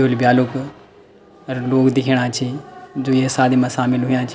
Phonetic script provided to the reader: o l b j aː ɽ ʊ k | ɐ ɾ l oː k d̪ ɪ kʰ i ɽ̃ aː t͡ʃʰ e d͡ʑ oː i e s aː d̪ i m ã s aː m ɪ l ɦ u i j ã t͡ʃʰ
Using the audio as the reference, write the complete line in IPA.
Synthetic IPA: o l b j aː l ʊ k | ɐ ɾ l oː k d̪ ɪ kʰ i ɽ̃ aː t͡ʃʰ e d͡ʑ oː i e s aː d̪ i m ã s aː m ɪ l ɦ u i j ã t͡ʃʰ